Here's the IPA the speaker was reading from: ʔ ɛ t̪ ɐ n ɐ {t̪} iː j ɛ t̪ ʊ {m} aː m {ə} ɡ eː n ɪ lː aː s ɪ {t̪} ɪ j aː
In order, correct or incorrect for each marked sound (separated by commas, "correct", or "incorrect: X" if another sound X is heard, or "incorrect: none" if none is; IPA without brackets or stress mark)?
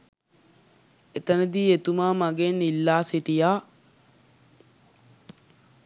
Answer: incorrect: d̪, correct, incorrect: ɐ, correct